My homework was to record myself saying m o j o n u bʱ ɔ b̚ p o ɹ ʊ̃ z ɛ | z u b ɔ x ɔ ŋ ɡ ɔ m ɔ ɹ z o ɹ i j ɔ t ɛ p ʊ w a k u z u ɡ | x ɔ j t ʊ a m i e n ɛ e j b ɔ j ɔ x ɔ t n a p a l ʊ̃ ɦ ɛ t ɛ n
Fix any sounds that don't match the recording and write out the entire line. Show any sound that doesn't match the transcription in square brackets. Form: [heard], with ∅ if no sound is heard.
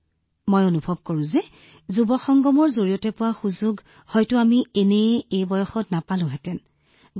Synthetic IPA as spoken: m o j o n u bʱ ɔ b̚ [k] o ɹ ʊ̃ z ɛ | z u b ɔ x ɔ ŋ ɡ ɔ m ɔ ɹ z o ɹ i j ɔ t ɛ p ʊ w a [x] u z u ɡ | [h] ɔ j t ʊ a m i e n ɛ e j b ɔ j ɔ x ɔ t n a p a l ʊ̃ ɦ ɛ t ɛ n